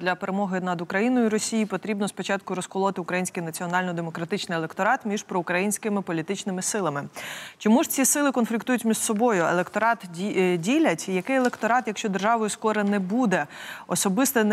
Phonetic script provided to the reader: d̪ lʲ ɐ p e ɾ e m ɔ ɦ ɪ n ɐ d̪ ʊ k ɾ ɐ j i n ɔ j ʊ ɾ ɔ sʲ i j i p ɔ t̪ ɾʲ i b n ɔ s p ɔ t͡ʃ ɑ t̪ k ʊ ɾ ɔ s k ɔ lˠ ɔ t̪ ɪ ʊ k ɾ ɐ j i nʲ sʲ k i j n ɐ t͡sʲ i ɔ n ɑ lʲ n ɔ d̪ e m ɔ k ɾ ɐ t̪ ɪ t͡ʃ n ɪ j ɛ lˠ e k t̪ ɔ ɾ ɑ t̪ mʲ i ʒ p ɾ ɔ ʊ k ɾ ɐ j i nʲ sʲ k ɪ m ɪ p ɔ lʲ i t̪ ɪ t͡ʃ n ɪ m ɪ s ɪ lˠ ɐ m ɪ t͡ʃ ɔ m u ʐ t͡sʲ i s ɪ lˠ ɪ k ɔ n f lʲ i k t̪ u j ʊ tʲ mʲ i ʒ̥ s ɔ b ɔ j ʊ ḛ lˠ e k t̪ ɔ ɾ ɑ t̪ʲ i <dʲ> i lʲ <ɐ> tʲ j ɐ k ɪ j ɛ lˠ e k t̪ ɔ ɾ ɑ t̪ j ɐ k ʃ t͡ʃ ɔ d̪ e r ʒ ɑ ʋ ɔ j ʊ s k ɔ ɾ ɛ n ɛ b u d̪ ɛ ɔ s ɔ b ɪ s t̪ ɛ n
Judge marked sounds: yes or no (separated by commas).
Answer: yes, yes